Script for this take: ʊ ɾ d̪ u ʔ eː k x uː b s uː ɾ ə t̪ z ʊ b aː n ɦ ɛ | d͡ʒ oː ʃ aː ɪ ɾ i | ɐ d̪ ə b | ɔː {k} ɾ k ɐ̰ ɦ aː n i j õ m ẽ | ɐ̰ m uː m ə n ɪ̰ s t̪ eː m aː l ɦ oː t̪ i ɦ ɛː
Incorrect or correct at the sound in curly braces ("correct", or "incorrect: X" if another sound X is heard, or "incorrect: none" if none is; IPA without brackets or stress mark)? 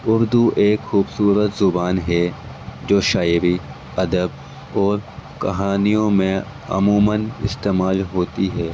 incorrect: none